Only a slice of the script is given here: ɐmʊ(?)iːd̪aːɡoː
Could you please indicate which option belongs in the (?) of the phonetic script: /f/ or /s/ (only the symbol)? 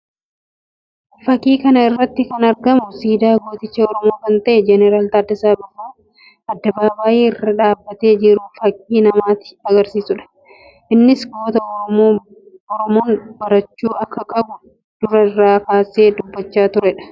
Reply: s